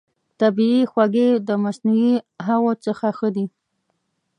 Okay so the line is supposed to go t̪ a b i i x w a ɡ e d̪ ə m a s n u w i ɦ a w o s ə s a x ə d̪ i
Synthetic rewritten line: t̪ a b i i x w a ɡ e d̪ ə m a s n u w i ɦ a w o t͡s ə x a x ə d̪ i